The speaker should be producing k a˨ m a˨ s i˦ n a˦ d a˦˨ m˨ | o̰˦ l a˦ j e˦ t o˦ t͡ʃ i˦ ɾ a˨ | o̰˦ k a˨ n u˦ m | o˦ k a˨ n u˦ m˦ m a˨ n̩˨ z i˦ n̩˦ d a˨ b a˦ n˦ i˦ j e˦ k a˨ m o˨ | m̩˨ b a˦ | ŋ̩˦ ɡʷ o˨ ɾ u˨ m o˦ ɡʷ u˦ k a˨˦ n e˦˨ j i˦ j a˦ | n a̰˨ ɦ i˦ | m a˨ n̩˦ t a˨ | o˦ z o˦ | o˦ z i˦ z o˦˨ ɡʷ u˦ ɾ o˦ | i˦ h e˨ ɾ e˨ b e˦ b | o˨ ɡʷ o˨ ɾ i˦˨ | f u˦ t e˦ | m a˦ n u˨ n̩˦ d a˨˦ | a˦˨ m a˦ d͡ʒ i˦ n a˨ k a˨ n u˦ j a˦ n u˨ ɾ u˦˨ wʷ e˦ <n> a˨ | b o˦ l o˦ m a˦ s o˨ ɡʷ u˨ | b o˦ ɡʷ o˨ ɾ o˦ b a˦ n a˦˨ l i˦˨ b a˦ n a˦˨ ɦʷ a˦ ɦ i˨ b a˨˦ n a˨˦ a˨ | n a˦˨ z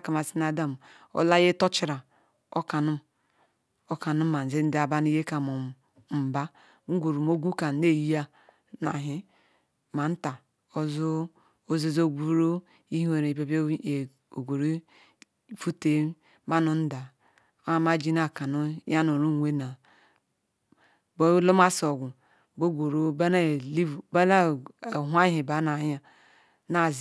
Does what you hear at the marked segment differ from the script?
no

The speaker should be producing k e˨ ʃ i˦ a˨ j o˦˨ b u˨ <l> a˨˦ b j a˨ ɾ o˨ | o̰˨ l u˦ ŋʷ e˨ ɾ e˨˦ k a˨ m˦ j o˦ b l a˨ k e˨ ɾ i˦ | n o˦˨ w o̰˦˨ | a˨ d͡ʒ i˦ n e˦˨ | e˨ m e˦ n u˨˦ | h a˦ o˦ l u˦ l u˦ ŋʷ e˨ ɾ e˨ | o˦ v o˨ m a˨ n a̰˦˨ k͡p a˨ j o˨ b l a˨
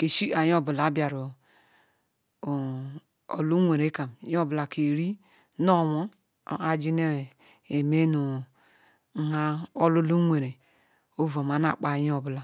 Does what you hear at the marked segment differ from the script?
no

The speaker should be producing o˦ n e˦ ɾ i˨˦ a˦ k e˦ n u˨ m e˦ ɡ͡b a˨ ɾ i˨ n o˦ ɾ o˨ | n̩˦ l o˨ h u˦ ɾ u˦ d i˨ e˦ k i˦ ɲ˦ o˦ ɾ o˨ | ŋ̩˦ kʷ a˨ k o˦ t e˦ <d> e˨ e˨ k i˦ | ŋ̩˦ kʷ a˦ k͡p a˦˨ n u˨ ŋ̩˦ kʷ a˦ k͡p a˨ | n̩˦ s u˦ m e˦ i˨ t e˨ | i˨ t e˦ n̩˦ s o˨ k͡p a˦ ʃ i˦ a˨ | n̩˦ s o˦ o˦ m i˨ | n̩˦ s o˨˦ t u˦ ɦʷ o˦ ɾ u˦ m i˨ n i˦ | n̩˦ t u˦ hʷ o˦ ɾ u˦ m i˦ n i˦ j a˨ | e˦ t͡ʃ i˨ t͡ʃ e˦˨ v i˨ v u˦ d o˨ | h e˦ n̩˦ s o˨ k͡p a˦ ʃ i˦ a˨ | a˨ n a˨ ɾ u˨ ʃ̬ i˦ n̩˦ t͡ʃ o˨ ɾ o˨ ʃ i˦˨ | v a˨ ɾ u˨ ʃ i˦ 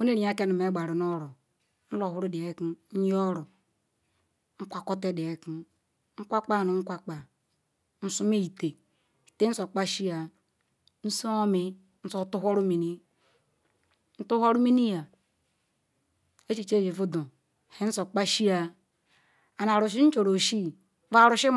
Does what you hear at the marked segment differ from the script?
no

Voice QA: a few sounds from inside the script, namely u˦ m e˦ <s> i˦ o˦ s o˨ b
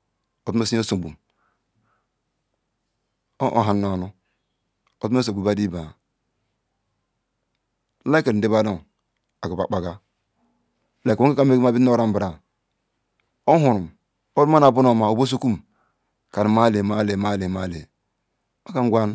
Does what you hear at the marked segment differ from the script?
no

